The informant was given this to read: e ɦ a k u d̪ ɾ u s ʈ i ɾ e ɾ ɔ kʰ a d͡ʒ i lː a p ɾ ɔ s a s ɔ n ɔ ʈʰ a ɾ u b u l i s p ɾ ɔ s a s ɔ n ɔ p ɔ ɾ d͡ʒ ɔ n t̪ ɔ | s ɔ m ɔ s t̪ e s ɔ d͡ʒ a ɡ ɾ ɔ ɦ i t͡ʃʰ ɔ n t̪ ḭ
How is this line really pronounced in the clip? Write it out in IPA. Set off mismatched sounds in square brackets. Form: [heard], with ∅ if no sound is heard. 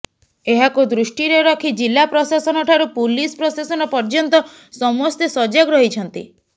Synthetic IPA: e ɦ a k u d̪ ɾ u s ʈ i ɾ e ɾ ɔ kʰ [i] d͡ʒ i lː a p ɾ ɔ s a s ɔ n ɔ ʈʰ a ɾ u [p] u l i s p ɾ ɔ s a s ɔ n ɔ p ɔ ɾ d͡ʒ ɔ n t̪ ɔ | s ɔ m ɔ s t̪ e s ɔ d͡ʒ a ɡ ɾ ɔ ɦ i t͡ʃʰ ɔ n t̪ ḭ